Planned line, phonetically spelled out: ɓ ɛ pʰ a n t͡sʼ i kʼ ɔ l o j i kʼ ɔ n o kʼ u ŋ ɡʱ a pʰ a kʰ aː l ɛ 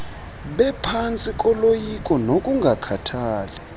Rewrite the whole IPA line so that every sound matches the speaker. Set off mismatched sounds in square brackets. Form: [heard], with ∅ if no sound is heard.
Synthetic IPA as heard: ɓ ɛ pʰ a n t͡sʼ i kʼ ɔ l o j i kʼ ɔ n o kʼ u ŋ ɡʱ a [kʰ] a [tʰ] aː l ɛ

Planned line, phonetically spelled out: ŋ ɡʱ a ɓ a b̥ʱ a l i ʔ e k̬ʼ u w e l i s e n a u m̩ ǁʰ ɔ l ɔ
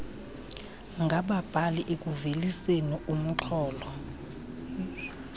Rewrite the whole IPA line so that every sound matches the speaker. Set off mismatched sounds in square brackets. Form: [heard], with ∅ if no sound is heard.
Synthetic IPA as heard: ŋ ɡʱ a ɓ a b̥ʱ a l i ʔ e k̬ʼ u [v] e l i s e n [i] u m̩ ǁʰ [ɔː] l ɔ

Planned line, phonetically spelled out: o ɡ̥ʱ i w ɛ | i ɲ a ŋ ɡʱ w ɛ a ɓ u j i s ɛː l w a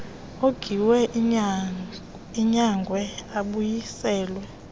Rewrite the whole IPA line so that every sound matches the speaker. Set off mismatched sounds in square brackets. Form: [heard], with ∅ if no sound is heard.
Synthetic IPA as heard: o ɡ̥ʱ i w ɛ | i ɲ a ŋ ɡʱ w ɛ a ɓ u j i s ɛː l w [ɛ]

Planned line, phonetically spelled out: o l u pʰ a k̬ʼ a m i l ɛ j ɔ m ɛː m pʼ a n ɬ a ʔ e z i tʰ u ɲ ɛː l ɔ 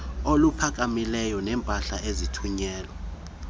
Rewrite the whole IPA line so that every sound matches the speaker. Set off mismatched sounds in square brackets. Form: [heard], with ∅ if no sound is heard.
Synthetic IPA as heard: o l u pʰ a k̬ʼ a m i l ɛ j ɔ [n] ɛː m pʼ a [∅] ɬ a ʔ e z i tʰ u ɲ ɛː l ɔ

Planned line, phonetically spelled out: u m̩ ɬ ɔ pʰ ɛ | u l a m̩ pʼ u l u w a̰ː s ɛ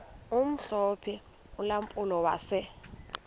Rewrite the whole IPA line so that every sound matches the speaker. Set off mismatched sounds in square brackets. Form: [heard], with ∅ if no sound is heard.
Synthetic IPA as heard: u m̩ ɬ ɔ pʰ ɛ | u l a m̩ pʼ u l [ɔ] w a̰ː s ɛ

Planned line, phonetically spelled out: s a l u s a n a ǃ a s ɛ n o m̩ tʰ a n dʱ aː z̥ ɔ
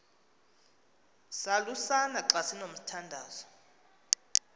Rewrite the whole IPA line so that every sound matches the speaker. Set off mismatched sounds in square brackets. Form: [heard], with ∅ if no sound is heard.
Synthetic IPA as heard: s a l u s a n a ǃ a s [i] n o m̩ tʰ a n dʱ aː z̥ ɔ

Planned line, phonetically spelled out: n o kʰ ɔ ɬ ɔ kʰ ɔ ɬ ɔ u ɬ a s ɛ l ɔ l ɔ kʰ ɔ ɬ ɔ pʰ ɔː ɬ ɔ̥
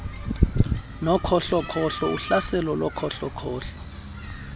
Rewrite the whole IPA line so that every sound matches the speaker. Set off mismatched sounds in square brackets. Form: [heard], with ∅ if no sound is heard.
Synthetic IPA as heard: n [ɔ] kʰ ɔ ɬ ɔ kʰ ɔ ɬ ɔ u ɬ a s ɛ l ɔ l ɔ kʰ ɔ ɬ ɔ [kʰ] ɔː ɬ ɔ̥

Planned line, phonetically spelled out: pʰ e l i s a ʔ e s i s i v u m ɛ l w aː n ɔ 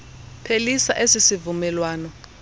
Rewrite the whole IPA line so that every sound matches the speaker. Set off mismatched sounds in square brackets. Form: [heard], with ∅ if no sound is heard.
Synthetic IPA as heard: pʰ e l i s a ʔ e s i s i v u m ɛ l w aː n ɔ

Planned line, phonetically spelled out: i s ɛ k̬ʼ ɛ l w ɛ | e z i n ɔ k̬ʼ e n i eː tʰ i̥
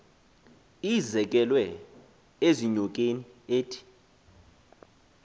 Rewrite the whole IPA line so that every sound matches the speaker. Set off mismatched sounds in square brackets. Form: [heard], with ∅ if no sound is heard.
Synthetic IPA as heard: i [z] ɛ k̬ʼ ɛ l w ɛ | e z i [ɲ] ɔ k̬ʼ e n i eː tʰ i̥

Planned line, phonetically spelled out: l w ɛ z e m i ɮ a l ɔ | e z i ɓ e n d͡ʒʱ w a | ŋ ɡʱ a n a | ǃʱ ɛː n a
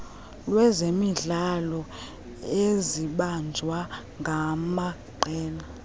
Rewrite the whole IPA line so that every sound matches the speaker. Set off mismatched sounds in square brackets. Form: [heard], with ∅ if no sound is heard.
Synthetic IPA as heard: l w ɛ z e m i ɮ a l ɔ | e z i ɓ [a] n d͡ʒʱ w a | ŋ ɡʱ a [m] a | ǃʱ ɛː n a

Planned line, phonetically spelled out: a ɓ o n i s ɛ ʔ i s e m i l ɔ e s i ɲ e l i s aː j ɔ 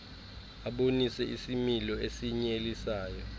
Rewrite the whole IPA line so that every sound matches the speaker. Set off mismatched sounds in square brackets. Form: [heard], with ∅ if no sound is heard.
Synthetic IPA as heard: a ɓ o n i s ɛ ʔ i s [i] m i l ɔ e s i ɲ e l i s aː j ɔ

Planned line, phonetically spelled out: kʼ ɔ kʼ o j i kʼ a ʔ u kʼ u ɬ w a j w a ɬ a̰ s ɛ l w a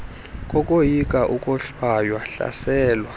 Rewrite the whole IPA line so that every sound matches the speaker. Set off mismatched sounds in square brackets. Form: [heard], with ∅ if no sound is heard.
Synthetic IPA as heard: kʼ ɔ kʼ o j i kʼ a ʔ u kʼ [ɔ] ɬ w a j w a ɬ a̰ s [ɛː] l w a

